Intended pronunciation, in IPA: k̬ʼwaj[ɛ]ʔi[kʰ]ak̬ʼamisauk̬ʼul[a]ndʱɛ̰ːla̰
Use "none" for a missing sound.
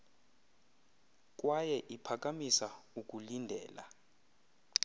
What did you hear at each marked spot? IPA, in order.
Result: ɛ, pʰ, i

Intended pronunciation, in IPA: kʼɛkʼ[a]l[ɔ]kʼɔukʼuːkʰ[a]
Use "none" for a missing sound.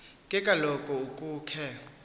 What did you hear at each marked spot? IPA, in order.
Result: a, ɔ, ɛ

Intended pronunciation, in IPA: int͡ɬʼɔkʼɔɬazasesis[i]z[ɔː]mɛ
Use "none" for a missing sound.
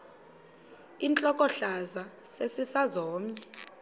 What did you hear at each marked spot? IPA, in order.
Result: a, ɔː

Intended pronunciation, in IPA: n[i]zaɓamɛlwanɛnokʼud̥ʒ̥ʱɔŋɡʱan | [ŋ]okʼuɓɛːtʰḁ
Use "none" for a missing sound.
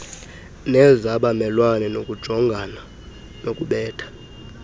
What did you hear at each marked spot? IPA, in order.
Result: ɛ, n

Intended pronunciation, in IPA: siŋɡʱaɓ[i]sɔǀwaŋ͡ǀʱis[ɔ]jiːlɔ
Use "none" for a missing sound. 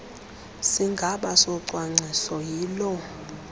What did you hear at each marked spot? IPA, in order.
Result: a, ɔ

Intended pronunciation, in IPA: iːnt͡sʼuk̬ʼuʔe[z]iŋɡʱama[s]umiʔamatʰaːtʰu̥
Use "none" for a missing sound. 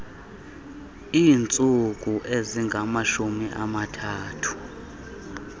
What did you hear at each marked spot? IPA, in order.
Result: z, ʃ

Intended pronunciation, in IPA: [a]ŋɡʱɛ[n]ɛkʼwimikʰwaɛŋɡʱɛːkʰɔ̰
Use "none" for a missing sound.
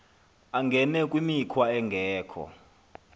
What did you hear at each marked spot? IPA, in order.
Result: a, n

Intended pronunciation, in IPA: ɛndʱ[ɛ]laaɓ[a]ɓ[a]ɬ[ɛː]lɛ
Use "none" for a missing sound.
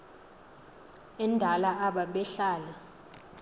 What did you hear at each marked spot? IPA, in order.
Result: a, a, ɛ, aː

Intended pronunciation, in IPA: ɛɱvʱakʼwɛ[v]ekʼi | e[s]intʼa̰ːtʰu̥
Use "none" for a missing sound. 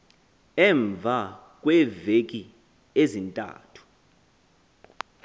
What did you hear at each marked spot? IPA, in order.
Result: v, z

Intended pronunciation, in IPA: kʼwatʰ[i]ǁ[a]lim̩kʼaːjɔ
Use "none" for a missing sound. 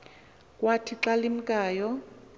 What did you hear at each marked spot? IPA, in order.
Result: i, a

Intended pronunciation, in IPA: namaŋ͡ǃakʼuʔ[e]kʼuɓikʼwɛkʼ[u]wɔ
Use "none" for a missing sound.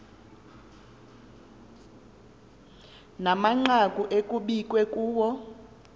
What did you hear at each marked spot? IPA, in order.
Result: e, uː

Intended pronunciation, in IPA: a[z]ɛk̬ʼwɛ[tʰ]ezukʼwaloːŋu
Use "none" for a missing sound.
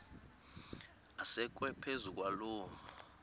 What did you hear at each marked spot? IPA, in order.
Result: s, pʰ

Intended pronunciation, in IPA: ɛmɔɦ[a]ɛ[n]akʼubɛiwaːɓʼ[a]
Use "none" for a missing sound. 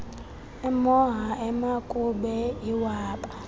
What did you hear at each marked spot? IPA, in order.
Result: a, m, a

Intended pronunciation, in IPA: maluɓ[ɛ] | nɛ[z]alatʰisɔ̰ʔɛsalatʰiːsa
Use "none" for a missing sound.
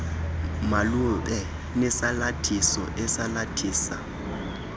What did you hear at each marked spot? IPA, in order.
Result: ɛ, s

